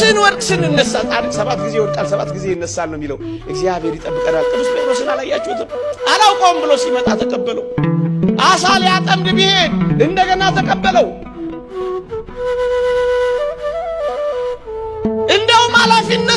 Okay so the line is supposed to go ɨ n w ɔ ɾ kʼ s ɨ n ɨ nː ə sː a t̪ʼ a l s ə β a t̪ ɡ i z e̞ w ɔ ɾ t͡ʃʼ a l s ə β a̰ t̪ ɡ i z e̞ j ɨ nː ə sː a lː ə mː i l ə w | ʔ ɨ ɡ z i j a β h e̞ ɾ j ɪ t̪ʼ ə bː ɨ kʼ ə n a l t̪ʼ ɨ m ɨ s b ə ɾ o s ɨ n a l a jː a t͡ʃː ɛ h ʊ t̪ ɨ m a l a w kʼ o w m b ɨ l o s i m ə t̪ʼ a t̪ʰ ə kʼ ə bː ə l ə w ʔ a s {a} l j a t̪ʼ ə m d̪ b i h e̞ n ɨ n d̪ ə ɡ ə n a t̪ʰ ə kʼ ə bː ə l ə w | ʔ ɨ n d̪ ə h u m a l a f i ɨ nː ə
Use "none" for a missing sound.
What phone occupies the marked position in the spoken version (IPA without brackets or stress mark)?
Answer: a